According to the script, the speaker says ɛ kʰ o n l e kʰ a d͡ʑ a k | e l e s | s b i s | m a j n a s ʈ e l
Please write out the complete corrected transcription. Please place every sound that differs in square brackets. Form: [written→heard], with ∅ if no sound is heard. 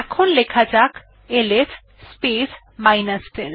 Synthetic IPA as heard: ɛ kʰ o n l e kʰ a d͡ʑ a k | e l e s | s [b→p] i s | m a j n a s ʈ e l